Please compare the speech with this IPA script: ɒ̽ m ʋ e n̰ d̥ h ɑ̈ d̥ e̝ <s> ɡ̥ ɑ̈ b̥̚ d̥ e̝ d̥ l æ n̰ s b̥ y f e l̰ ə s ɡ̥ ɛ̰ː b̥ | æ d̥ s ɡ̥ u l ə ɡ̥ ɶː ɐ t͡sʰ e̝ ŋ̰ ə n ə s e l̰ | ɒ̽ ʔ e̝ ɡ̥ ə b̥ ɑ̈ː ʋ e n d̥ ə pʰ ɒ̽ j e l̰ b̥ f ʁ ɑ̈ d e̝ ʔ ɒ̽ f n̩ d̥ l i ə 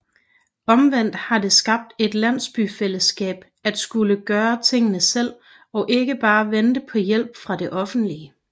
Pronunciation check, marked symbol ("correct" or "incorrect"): correct